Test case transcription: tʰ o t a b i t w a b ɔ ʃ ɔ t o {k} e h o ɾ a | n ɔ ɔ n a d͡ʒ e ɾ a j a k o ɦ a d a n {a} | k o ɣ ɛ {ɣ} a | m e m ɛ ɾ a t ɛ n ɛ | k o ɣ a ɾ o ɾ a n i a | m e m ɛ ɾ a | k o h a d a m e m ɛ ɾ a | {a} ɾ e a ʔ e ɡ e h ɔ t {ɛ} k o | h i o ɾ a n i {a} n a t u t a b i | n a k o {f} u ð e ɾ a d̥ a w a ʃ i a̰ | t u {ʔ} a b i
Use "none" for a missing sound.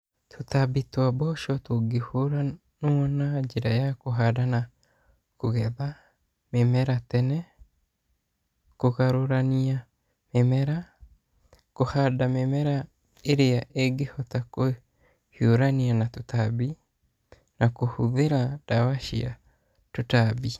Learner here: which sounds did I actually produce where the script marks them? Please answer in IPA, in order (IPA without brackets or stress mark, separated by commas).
ɡ, a, ð, e, a, a, h, t